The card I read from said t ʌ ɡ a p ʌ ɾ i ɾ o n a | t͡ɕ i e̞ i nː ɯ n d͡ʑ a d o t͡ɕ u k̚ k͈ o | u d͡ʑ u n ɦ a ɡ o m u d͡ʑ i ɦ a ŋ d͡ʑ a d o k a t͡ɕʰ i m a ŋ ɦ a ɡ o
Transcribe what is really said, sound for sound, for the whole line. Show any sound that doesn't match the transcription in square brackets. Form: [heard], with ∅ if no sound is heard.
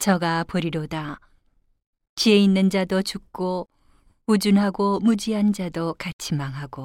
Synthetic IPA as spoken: [t͡ɕ] ʌ ɡ a p ʌ ɾ i ɾ o [d] a | t͡ɕ i e̞ i nː ɯ n d͡ʑ a d o t͡ɕ u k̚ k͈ o | u d͡ʑ u n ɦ a ɡ o m u d͡ʑ i ɦ a [n] d͡ʑ a d o k a t͡ɕʰ i m a ŋ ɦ a ɡ o